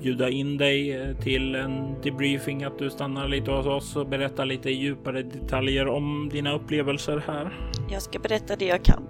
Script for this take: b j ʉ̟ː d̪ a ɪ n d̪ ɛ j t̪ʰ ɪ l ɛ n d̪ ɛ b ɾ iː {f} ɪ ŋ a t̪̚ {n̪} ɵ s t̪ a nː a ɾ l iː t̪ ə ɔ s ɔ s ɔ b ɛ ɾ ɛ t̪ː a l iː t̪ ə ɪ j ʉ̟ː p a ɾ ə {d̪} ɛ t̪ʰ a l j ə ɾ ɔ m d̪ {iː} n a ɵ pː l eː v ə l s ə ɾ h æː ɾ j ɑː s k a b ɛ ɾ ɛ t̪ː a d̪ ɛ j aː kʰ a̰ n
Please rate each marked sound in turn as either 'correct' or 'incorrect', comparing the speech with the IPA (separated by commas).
correct, incorrect, correct, correct